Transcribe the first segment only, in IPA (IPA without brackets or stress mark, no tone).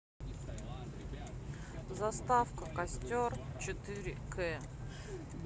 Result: z